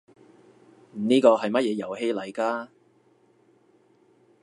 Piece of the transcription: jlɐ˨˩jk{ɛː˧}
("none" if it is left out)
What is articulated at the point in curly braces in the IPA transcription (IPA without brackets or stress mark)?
aː˧